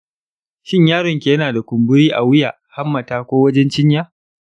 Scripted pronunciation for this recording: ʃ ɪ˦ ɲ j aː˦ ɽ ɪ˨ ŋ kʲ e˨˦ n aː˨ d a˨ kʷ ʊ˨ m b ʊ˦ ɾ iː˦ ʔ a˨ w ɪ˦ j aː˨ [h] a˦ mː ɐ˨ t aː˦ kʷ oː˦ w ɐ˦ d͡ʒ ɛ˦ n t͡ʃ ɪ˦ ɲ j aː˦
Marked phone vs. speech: correct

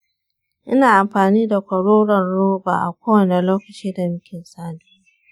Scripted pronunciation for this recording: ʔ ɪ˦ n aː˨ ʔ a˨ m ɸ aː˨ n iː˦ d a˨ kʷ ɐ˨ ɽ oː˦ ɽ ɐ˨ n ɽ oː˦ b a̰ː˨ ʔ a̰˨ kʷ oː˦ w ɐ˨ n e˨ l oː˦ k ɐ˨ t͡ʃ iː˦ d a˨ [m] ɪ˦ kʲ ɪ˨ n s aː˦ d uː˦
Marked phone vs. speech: correct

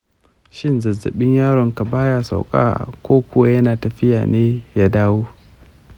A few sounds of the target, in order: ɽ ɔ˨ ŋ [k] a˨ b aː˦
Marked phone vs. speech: correct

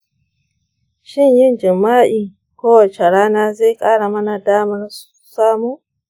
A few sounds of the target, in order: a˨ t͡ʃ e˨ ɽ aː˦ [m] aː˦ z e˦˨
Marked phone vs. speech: incorrect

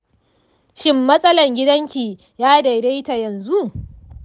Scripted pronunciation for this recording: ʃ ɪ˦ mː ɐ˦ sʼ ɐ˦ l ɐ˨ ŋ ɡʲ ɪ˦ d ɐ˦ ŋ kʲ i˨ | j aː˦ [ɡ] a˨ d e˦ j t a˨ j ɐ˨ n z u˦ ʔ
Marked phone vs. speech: incorrect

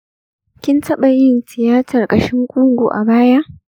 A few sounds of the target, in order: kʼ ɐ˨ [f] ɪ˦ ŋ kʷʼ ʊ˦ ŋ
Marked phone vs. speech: incorrect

